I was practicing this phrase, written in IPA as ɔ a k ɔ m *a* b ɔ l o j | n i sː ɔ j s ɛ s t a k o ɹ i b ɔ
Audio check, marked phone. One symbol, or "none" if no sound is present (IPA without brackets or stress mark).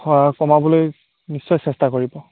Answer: a